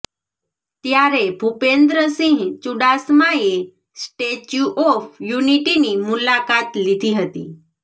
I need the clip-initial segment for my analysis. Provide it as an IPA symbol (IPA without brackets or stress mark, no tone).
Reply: t̪